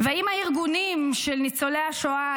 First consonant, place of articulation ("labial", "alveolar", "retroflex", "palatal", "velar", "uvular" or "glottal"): labial